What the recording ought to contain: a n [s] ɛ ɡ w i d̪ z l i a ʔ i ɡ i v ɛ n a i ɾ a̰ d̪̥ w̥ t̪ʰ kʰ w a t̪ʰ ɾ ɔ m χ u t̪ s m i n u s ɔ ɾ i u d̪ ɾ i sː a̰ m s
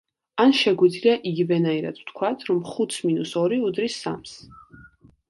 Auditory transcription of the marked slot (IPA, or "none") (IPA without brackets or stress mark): ʃ